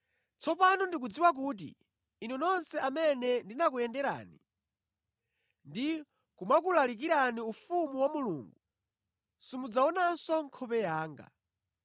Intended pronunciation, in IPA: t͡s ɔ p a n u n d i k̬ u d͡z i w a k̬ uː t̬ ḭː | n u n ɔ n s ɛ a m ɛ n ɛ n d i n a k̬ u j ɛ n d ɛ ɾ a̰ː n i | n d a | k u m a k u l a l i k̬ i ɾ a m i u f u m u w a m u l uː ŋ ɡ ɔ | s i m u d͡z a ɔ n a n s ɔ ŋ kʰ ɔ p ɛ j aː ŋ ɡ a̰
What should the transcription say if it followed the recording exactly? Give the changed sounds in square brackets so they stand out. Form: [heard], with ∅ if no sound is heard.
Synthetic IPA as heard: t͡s ɔ p a n u n d i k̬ u d͡z i w a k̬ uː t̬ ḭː | n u n ɔ n s ɛ a m ɛ n ɛ n d i n a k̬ u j ɛ n d ɛ ɾ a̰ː n i | n d [i] | k u m a k u l a l i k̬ i ɾ a [n] i u f u m u w a m u l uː ŋ ɡ [u] | s i m u d͡z a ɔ n a n s ɔ ŋ kʰ ɔ p ɛ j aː ŋ ɡ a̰